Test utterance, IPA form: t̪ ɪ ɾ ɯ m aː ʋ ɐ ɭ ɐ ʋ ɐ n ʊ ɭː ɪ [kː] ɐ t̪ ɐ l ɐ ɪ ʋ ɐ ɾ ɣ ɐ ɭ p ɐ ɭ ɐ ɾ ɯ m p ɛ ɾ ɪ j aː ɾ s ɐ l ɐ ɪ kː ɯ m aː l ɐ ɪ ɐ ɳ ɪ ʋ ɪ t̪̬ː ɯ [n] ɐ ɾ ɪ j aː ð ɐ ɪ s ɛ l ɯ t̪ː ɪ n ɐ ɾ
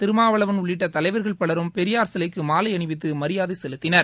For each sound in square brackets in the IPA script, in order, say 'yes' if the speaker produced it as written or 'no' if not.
no, no

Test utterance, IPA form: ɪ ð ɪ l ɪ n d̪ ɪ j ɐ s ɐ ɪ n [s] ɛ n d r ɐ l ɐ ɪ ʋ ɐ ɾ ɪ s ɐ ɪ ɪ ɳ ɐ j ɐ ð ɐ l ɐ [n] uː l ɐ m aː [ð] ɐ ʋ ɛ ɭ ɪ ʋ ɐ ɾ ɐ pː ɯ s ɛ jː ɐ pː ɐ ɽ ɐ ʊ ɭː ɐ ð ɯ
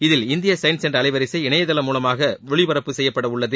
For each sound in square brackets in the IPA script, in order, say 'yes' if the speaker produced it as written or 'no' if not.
yes, no, no

